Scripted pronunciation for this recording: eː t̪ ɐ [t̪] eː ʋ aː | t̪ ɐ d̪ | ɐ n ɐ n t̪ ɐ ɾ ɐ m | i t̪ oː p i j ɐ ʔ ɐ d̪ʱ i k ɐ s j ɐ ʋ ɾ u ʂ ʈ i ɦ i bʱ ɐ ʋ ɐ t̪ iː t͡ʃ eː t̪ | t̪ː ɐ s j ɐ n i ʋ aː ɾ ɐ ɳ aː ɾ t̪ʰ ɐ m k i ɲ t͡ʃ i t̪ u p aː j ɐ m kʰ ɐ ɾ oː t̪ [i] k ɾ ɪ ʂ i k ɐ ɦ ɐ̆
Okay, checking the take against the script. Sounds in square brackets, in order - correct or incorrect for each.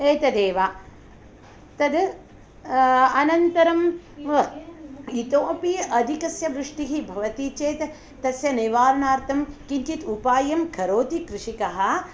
incorrect: d̪, correct

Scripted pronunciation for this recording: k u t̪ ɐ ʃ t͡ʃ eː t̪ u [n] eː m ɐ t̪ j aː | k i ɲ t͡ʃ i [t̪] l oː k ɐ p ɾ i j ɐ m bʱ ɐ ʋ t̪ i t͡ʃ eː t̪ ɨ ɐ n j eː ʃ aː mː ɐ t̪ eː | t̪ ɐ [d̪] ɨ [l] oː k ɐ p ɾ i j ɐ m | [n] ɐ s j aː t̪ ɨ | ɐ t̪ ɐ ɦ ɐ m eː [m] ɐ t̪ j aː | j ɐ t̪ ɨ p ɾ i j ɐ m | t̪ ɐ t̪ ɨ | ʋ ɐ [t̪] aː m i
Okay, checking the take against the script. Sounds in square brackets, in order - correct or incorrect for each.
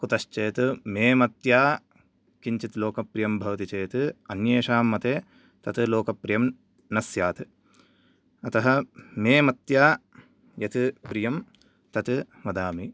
incorrect: m, correct, incorrect: t̪, correct, correct, correct, incorrect: d̪

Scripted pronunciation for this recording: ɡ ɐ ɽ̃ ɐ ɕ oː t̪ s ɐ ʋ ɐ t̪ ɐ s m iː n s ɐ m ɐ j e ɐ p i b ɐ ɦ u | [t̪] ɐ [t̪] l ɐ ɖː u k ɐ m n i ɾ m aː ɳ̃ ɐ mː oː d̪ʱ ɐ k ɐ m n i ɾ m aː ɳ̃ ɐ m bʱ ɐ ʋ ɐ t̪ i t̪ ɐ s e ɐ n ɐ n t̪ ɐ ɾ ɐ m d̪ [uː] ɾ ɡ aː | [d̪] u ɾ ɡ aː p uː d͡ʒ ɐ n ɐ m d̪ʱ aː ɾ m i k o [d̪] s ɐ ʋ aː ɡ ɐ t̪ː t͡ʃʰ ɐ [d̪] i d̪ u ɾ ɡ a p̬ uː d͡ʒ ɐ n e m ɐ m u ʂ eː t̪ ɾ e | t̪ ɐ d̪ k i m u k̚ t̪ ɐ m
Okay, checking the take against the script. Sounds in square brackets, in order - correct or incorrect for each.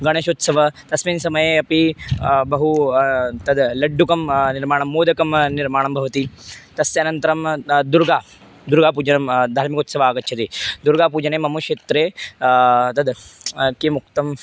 correct, incorrect: d̪, incorrect: u, correct, incorrect: t̪, incorrect: t̪

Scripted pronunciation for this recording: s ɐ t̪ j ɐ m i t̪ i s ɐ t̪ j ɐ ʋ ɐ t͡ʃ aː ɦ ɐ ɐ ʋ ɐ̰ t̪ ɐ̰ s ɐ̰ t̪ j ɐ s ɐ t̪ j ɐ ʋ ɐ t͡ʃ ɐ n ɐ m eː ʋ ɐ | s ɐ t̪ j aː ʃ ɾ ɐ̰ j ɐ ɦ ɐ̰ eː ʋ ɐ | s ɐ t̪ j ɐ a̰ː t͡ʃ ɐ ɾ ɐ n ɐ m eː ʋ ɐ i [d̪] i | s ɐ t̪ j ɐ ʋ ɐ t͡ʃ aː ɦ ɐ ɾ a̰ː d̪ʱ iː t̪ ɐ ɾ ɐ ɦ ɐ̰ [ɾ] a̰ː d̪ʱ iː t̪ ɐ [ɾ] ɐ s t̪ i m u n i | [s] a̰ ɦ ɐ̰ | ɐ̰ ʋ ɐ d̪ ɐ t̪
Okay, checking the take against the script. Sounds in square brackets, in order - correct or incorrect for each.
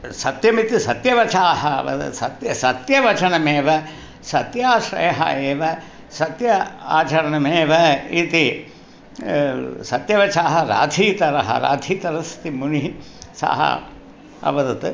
incorrect: t̪, correct, correct, correct

